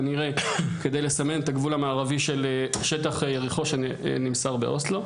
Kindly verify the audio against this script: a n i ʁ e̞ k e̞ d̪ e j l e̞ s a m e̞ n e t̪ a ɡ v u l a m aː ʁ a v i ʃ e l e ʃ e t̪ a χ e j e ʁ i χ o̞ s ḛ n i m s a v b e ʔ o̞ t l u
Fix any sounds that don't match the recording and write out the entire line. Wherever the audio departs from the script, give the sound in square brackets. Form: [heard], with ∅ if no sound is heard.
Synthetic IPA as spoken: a n i ʁ e̞ k e̞ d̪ e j l e̞ s a m e̞ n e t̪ a ɡ v u l a m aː ʁ a v i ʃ e l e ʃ e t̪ a χ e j e ʁ i χ o̞ [ʃ] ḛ n i m s a [ʁ] b e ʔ o̞ [s] l [o]